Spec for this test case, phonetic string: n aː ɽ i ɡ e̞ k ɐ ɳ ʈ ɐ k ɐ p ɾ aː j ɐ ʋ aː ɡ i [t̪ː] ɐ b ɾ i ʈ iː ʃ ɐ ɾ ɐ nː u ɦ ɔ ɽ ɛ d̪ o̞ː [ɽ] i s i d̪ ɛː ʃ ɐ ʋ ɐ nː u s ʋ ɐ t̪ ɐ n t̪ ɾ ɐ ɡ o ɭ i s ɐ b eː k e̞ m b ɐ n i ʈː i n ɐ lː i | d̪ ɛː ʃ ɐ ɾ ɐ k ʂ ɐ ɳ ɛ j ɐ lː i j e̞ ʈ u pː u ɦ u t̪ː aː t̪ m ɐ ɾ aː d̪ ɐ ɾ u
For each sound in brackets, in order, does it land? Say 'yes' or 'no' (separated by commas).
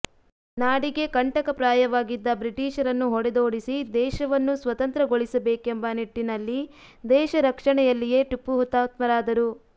no, yes